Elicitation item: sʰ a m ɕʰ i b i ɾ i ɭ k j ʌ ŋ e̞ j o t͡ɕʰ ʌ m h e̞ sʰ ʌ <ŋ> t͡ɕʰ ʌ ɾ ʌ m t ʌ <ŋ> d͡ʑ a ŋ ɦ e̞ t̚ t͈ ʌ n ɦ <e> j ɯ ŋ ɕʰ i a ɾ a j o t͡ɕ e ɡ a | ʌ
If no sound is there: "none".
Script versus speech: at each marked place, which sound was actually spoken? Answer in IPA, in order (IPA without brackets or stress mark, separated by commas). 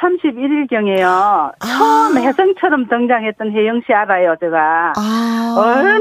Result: ŋ, ŋ, e